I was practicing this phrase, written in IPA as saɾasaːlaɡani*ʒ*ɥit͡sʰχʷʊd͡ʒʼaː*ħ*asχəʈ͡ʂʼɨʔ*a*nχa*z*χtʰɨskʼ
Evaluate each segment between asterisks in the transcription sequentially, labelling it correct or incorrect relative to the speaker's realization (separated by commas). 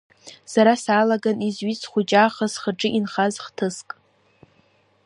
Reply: incorrect, incorrect, incorrect, correct